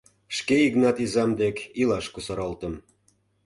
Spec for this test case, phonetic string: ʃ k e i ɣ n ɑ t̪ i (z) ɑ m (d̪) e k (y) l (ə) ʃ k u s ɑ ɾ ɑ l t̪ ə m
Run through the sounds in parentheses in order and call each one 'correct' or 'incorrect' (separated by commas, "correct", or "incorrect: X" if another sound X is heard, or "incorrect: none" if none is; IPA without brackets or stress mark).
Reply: correct, correct, incorrect: i, incorrect: ɑ